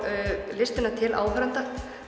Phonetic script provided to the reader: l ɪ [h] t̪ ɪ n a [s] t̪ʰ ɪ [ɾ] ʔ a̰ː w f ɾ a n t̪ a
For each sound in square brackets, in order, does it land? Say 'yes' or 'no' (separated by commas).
no, no, no